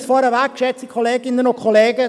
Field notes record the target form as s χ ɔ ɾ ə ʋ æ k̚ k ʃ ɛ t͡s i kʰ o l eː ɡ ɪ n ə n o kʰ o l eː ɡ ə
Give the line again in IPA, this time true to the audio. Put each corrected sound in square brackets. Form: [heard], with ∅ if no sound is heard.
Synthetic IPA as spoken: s [f] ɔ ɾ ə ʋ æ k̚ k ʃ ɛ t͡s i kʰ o l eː ɡ ɪ n ə n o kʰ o l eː ɡ ə